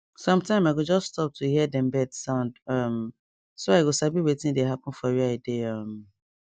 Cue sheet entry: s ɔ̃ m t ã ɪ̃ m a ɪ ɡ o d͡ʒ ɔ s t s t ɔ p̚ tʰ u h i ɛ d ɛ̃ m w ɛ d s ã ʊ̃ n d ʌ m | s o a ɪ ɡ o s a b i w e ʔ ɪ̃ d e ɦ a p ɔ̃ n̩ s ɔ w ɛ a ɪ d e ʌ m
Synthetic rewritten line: s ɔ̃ m t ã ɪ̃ m a ɪ ɡ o d͡ʒ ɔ s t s t ɔ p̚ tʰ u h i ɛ d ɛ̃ m b ɛ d s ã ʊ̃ n d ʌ m | s o a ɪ ɡ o s a b i w e t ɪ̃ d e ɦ a p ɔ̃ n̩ f ɔ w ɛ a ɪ d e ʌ m